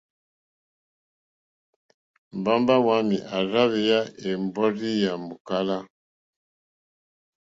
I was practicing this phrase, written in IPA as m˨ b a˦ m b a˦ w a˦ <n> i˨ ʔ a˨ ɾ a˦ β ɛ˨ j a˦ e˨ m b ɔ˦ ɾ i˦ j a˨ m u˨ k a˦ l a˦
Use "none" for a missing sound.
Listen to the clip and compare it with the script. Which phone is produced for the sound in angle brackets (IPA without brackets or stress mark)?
m